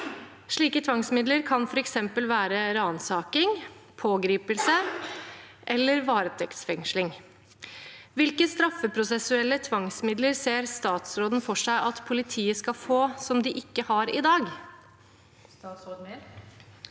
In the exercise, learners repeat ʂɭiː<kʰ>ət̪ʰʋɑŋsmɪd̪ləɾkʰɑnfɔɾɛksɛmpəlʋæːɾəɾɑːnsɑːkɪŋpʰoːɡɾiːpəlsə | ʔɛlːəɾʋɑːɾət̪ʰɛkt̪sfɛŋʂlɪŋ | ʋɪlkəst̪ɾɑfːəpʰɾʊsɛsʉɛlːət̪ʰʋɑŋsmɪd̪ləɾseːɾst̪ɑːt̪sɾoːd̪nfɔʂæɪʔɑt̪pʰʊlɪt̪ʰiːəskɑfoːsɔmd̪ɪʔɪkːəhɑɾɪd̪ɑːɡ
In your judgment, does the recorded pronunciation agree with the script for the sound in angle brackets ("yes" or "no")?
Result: no